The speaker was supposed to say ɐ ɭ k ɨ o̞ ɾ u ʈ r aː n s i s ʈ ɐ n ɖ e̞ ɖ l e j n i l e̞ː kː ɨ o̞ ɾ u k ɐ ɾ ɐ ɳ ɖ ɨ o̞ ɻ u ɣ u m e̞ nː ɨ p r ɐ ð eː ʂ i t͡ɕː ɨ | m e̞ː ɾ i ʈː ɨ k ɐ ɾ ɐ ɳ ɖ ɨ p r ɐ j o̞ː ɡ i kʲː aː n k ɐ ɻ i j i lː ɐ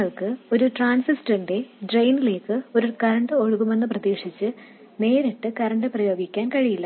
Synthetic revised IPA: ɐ ɭ k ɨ o̞ ɾ u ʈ r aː n s i s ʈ ɐ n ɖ e̞ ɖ r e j n i l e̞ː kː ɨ o̞ ɾ u k ɐ ɾ ɐ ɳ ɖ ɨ o̞ ɻ u ɣ u m e̞ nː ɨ p r ɐ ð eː ʂ i t͡ɕː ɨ | n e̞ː ɾ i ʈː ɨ k ɐ ɾ ɐ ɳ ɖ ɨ p r ɐ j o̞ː ɡ i kʲː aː n k ɐ ɻ i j i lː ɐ